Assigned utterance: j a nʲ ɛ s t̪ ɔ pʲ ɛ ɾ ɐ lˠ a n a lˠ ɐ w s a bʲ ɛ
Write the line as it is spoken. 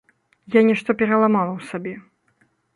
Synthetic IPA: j a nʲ ɛ ʂ t̪ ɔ pʲ ɛ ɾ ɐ lˠ a m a lˠ ɐ w s a bʲ ɛ